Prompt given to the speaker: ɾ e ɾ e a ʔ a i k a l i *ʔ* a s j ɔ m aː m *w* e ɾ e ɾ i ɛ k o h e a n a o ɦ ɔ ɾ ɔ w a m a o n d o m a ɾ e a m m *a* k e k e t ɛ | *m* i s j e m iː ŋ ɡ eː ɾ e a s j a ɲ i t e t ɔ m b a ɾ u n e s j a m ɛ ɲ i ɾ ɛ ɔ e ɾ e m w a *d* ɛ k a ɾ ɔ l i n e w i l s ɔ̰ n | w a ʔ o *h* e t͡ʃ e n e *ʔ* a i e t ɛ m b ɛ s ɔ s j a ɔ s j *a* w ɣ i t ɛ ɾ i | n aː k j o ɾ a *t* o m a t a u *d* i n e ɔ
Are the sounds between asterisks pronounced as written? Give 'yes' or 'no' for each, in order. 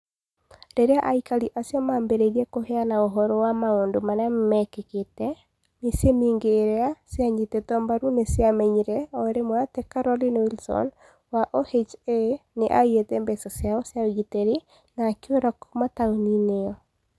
yes, no, no, yes, no, yes, yes, yes, no, no

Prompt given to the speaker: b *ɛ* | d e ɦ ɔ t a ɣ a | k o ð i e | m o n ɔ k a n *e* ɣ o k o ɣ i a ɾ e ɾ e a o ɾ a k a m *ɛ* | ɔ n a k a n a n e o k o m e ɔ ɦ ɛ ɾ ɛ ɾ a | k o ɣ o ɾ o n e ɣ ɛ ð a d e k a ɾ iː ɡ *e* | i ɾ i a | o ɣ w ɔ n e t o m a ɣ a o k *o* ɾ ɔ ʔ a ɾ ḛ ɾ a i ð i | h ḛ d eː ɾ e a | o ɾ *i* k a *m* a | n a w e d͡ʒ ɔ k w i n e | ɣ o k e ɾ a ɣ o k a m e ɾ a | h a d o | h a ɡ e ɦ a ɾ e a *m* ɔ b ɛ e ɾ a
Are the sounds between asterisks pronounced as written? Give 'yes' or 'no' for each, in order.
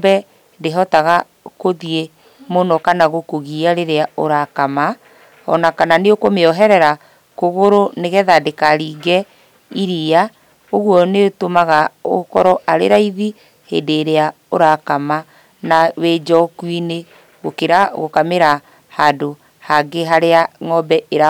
yes, no, no, no, no, no, yes, no

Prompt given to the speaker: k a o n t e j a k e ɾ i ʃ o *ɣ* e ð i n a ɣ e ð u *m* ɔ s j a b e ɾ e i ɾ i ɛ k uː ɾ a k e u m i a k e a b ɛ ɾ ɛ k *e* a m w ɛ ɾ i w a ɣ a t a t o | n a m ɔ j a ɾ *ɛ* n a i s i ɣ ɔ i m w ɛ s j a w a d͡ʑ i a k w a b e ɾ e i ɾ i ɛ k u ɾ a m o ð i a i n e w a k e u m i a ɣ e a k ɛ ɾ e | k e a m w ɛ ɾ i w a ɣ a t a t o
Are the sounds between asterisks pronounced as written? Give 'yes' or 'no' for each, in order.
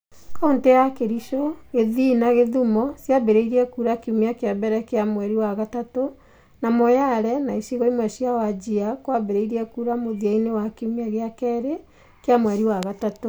yes, yes, yes, yes

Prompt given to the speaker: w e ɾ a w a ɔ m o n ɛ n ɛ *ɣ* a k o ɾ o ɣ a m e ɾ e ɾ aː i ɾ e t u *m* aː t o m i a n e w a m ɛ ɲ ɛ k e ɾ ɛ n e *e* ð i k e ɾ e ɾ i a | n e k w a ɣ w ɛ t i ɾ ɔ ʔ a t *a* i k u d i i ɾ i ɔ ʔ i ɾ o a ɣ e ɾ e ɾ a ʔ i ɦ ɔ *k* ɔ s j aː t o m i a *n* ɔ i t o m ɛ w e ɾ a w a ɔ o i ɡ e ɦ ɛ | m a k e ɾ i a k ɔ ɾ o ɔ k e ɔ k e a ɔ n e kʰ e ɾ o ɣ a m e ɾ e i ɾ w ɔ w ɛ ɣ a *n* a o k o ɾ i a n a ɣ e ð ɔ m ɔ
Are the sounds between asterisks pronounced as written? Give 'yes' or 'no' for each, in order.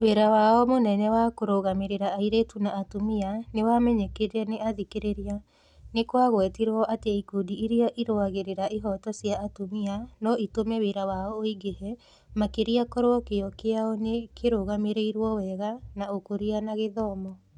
no, no, no, no, no, yes, yes

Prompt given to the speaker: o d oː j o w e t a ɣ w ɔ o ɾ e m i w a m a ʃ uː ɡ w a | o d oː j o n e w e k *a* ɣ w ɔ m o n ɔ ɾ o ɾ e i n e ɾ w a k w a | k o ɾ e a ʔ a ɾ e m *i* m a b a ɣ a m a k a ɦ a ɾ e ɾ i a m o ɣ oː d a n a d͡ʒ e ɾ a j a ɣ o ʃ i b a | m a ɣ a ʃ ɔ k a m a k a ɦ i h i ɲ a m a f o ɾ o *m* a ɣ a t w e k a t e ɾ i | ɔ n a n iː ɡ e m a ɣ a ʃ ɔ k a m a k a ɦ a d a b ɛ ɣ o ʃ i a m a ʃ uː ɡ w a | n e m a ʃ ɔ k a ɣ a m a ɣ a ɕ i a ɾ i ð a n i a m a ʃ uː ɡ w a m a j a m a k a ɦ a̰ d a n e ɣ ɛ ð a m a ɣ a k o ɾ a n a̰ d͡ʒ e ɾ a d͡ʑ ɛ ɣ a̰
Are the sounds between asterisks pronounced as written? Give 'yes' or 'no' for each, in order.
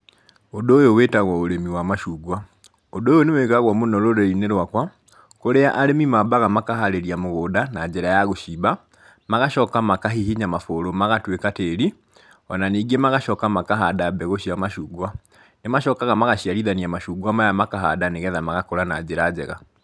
yes, yes, yes

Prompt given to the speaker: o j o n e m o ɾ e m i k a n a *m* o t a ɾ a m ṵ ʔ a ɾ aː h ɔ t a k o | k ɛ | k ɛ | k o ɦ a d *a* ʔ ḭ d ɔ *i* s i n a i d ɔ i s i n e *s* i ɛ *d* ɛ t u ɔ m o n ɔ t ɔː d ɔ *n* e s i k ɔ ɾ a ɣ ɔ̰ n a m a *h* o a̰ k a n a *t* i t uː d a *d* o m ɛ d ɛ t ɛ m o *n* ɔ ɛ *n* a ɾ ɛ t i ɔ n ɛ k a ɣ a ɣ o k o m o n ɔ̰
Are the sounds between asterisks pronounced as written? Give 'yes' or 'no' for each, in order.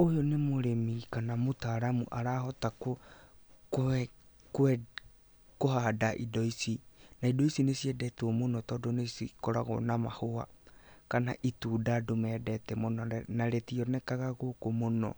yes, yes, yes, yes, yes, yes, yes, no, yes, yes, yes

